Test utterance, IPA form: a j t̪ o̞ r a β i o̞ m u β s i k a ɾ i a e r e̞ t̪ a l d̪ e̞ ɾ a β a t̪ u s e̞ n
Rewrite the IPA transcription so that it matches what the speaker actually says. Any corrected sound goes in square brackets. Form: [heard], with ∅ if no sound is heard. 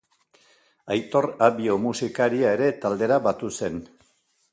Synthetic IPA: a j t̪ o̞ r a β i o̞ m u [∅] s i k a ɾ i a e [ɾ] e̞ t̪ a l d̪ e̞ ɾ a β a t̪ u s e̞ n